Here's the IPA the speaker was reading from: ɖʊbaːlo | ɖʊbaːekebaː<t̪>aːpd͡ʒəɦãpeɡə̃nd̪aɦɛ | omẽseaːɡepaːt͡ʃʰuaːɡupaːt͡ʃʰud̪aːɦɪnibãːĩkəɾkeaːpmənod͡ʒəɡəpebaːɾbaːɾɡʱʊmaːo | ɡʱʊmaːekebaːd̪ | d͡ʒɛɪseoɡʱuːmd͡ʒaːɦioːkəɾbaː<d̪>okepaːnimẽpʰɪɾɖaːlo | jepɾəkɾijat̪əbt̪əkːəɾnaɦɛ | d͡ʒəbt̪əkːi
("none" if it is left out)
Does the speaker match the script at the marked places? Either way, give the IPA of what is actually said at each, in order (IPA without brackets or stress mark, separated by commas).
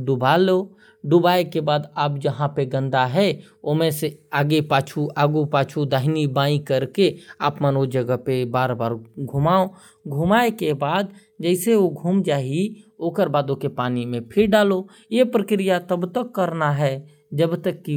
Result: d̪, d̪